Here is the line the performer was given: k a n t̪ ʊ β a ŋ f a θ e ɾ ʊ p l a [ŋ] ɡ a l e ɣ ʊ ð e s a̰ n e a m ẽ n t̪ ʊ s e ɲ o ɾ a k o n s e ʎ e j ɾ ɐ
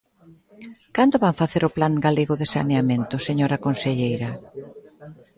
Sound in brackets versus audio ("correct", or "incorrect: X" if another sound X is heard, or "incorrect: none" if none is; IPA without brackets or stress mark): correct